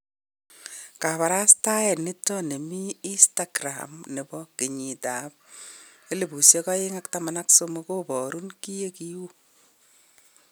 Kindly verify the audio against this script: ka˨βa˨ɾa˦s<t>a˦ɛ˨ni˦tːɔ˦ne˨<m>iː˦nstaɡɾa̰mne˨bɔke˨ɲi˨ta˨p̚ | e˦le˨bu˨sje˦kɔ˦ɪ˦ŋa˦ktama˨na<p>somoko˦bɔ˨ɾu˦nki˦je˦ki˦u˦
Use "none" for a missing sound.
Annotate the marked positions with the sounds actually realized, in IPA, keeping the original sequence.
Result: t, m, k

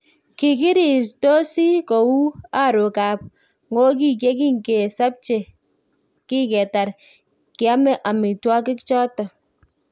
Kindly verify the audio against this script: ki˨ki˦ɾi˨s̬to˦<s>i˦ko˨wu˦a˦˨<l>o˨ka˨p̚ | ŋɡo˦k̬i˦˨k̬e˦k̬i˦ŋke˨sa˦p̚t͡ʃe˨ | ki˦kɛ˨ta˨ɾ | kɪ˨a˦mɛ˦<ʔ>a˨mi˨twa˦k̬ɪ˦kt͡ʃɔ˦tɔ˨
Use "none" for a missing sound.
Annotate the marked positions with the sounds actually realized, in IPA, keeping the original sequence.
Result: s, ɾ, ʔ

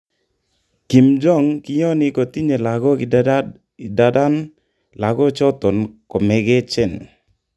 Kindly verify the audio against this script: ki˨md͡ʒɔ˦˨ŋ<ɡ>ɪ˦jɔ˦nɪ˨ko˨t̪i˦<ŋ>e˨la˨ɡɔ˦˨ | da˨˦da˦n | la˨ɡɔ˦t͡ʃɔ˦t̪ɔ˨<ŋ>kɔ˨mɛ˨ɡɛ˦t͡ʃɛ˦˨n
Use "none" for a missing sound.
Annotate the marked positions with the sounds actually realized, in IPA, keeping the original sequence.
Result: k, ɲ, n

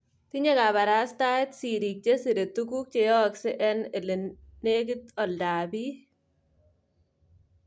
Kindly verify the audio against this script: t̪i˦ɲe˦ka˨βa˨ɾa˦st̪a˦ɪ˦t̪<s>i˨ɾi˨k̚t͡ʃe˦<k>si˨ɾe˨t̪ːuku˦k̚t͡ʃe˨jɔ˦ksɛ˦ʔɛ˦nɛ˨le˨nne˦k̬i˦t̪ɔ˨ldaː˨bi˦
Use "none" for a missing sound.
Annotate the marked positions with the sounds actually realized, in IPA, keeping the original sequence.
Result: s, none

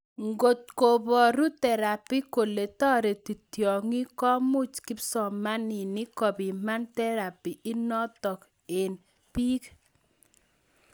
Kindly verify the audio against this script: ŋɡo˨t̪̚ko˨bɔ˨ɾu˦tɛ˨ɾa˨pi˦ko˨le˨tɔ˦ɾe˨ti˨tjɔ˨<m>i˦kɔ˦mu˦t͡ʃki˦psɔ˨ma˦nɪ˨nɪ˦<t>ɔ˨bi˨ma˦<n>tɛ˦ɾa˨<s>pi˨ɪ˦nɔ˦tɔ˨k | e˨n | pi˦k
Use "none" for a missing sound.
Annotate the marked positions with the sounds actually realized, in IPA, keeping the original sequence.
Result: ŋ, k, n, none

